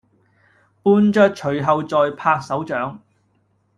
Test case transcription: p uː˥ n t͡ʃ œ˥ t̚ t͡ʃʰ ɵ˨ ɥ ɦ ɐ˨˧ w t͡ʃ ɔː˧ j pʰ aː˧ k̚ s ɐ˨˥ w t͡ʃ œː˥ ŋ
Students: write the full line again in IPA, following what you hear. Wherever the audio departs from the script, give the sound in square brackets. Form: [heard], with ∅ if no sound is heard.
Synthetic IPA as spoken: p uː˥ n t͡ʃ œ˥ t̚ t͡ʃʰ ɵ˨ ɥ ɦ ɐ˨˧ w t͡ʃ ɔː˧ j pʰ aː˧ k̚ s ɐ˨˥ w t͡ʃ [œː˨˥] ŋ